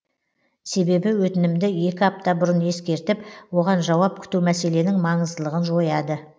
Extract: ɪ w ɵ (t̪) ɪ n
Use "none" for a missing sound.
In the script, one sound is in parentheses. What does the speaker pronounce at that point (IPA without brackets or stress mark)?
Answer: t̪